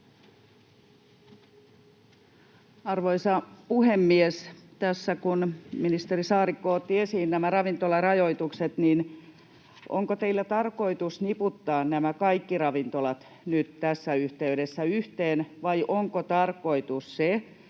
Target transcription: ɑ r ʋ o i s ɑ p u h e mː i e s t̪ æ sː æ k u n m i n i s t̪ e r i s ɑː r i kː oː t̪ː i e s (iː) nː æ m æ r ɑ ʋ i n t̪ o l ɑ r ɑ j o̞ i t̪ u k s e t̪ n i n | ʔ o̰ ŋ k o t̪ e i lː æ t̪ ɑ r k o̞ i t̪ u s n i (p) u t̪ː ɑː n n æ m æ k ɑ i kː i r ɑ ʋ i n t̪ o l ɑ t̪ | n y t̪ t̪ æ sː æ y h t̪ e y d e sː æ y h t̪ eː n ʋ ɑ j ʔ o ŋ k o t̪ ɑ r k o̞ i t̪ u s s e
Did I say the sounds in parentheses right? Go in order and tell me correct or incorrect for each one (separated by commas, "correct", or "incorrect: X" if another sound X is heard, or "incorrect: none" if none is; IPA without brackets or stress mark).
correct, correct